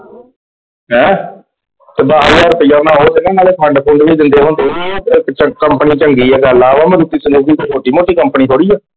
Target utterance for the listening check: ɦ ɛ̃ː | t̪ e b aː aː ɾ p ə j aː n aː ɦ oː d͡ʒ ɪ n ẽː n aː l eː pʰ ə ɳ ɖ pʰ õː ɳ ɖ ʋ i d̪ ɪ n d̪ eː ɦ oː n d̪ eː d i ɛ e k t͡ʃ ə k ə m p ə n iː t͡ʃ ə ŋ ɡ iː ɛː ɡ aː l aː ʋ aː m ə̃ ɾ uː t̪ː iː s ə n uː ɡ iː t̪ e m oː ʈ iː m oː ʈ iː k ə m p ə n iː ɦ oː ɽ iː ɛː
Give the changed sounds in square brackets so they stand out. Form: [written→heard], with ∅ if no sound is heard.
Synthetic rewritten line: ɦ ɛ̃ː | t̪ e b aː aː ɾ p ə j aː n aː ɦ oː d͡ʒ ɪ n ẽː n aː l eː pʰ ə ɳ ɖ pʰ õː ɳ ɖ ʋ [i→iː] d̪ ɪ n d̪ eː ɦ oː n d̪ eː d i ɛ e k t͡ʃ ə k ə m p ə n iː t͡ʃ ə ŋ ɡ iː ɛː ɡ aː l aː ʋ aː m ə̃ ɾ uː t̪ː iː s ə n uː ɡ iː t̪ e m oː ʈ iː m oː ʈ iː k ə m p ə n iː ɦ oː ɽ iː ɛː

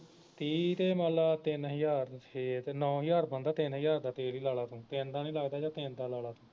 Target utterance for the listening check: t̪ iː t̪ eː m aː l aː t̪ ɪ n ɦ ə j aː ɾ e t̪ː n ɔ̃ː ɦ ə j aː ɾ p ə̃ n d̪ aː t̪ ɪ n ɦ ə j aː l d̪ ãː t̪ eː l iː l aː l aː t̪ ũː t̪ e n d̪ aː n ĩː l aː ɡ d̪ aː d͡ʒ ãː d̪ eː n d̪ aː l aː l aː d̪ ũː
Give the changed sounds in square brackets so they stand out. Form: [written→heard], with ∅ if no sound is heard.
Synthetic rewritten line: t̪ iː t̪ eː m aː l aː t̪ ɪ n ɦ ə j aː ɾ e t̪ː n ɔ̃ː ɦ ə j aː ɾ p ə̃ n d̪ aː t̪ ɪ n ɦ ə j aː [l→ɾ] d̪ [ãː→aː] t̪ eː l iː l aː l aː t̪ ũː t̪ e n d̪ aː n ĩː l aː ɡ d̪ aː d͡ʒ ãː [d̪→t̪] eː n d̪ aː l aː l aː [d̪→t̪] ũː

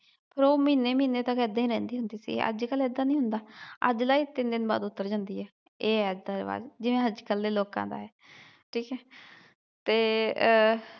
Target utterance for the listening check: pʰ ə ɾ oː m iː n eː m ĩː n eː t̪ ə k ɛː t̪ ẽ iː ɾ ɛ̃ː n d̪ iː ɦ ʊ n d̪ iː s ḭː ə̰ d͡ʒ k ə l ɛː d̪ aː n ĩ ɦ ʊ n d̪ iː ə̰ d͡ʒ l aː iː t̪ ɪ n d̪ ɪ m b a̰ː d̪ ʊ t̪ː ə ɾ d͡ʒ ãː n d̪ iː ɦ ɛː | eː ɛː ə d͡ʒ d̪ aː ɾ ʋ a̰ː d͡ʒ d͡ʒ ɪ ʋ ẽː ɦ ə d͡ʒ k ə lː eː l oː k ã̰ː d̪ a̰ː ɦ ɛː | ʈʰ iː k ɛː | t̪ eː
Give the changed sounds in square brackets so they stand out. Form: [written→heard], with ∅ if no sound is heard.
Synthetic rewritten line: pʰ ə ɾ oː m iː n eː m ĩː n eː t̪ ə k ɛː [t̪→d̪] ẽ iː ɾ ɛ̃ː n d̪ iː ɦ ʊ n d̪ iː s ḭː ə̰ d͡ʒ k ə l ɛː d̪ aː n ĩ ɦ ʊ n d̪ [iː→aː] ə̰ d͡ʒ l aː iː t̪ ɪ n d̪ ɪ [m→n] b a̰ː d̪ ʊ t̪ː ə ɾ d͡ʒ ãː n d̪ iː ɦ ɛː | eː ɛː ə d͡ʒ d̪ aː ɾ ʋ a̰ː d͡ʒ d͡ʒ ɪ ʋ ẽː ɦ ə d͡ʒ k ə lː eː l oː k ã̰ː d̪ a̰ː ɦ ɛː | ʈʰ iː k ɛː | t̪ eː

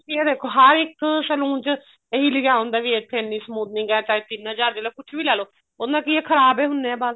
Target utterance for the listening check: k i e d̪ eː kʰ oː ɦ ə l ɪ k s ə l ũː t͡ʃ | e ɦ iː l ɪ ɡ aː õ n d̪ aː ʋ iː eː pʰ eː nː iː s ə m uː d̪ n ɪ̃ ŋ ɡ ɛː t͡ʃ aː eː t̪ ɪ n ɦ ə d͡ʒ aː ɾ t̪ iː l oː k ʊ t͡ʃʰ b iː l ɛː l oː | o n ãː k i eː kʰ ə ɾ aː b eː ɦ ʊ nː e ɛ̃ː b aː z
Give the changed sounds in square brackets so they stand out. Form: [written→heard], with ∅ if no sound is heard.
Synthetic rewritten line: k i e d̪ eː kʰ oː ɦ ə [l→ɾ] ɪ k s ə l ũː t͡ʃ | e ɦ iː l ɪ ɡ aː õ n d̪ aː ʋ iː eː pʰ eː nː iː s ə m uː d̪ n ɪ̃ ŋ ɡ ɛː t͡ʃ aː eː t̪ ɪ n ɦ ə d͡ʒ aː ɾ [t̪→d̪] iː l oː k ʊ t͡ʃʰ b iː l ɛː l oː | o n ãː k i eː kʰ ə ɾ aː b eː ɦ ʊ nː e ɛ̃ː b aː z

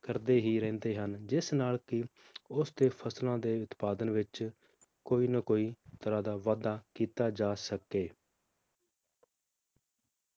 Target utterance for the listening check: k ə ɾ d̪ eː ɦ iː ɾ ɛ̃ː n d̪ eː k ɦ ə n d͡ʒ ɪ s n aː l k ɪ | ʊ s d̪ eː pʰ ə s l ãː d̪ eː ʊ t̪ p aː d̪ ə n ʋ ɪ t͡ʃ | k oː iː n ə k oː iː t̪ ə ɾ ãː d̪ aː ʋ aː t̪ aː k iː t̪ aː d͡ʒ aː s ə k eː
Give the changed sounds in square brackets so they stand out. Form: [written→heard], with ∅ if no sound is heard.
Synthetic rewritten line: k ə ɾ d̪ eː ɦ iː ɾ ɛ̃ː n d̪ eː [k→∅] ɦ ə n d͡ʒ ɪ s n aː l k ɪ | ʊ s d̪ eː pʰ ə s l ãː d̪ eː ʊ t̪ p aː d̪ ə n ʋ ɪ t͡ʃ | k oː iː n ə k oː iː t̪ ə ɾ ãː d̪ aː ʋ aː [t̪→d̪] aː k iː t̪ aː d͡ʒ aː s ə k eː

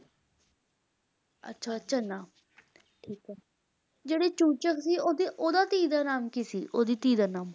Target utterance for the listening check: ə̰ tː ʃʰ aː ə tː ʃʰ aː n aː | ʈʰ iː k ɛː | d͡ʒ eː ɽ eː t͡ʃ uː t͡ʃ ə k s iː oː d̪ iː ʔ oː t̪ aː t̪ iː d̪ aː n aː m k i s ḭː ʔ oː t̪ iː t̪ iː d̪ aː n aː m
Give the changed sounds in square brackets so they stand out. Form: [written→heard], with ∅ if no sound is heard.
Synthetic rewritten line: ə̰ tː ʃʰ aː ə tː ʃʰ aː n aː | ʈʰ iː k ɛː | d͡ʒ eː ɽ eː t͡ʃ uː t͡ʃ ə k s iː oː d̪ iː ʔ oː [t̪→d̪] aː t̪ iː d̪ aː n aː m k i s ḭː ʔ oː [t̪→d̪] iː t̪ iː d̪ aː n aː m

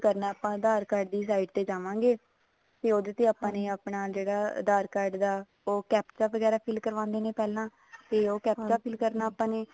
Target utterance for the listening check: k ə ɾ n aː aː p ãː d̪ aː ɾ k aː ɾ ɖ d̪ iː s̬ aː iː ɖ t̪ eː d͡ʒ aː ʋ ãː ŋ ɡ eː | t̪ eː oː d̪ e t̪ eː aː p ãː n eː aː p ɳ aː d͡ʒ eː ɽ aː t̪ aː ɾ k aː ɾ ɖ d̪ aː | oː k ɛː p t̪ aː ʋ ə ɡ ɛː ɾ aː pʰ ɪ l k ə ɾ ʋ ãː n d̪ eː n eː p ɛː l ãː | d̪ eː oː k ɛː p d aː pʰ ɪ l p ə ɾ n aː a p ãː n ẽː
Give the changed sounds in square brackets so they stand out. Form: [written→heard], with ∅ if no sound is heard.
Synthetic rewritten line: k ə ɾ n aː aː p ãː d̪ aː ɾ k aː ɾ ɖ d̪ iː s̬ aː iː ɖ t̪ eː d͡ʒ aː ʋ ãː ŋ ɡ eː | t̪ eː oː d̪ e t̪ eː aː p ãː n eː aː p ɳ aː d͡ʒ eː ɽ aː [t̪→d̪] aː ɾ k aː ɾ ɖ d̪ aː | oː k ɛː p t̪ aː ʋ ə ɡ ɛː ɾ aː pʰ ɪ l k ə ɾ ʋ ãː n d̪ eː n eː p ɛː l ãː | [d̪→t̪] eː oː k ɛː p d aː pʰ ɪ l [p→k] ə ɾ n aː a p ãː n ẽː

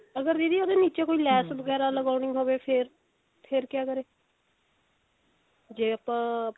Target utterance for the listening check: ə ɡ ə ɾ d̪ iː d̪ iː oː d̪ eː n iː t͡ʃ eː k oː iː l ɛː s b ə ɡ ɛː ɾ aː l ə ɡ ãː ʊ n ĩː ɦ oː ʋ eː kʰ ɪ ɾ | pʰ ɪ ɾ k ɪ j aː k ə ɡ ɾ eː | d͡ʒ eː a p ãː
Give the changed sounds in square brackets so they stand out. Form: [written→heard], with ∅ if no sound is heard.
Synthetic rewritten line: ə ɡ ə ɾ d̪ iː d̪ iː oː d̪ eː n iː t͡ʃ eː k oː iː l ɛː s b ə ɡ ɛː ɾ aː l ə ɡ [ãː→aː] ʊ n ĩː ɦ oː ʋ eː [kʰ→pʰ] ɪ ɾ | pʰ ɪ ɾ k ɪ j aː k ə [ɡ→∅] ɾ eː | d͡ʒ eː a p ãː

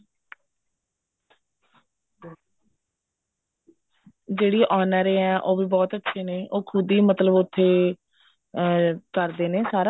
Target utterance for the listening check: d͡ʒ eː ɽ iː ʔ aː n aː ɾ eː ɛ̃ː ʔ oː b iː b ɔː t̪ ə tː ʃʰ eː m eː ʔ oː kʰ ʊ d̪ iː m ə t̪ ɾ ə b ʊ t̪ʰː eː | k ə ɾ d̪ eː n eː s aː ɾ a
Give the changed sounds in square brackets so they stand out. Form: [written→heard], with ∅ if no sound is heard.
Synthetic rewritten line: d͡ʒ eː ɽ iː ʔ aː n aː ɾ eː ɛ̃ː ʔ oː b iː b ɔː t̪ ə tː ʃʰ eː [m→n] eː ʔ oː kʰ ʊ d̪ iː m ə t̪ [ɾ→l] ə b ʊ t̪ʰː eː | k ə ɾ d̪ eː n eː s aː ɾ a

